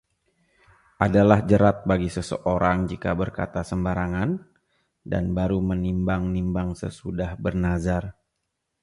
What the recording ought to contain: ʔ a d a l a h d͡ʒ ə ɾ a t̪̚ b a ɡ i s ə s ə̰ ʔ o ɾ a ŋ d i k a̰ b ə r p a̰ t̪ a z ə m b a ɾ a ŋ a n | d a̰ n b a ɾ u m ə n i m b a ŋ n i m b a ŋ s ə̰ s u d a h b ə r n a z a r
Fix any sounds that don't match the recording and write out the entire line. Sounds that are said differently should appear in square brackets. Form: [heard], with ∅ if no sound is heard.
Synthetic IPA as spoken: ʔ a d a l a h d͡ʒ ə ɾ a t̪̚ b a ɡ i s ə s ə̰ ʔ o ɾ a ŋ [d͡ʒ] i k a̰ b ə r [k] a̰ t̪ a [s] ə m b a ɾ a ŋ a n | d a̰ n b a ɾ u m ə n i m b a ŋ n i m b a ŋ s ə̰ s u d a h b ə r n a z a r